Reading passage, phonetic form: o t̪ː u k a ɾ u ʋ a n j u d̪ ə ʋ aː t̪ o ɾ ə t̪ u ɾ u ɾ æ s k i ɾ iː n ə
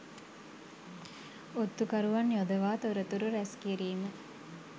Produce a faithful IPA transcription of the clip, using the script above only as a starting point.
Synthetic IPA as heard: o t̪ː u k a ɾ u ʋ a n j o d̪ ə ʋ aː t̪ o ɾ ə t̪ u ɾ u ɾ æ s k i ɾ iː m ə